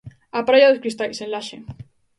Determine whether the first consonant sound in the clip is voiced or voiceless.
voiceless